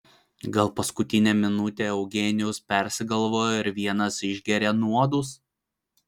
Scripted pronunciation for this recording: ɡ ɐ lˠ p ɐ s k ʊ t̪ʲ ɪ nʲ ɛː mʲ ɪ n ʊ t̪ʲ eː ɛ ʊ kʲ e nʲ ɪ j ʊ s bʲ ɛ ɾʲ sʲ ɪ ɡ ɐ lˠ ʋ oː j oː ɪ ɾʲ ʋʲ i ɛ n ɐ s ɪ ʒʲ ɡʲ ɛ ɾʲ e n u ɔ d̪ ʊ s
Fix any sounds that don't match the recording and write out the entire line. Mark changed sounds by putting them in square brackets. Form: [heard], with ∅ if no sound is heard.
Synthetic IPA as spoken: ɡ ɐ lˠ p ɐ s k ʊ t̪ʲ ɪ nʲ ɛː mʲ ɪ n ʊ t̪ʲ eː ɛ ʊ [ɡʲ] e nʲ ɪ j ʊ s [pʲ] ɛ ɾʲ sʲ ɪ ɡ ɐ lˠ ʋ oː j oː ɪ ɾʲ ʋʲ i ɛ n ɐ s ɪ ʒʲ ɡʲ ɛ ɾʲ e n u ɔ d̪ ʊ s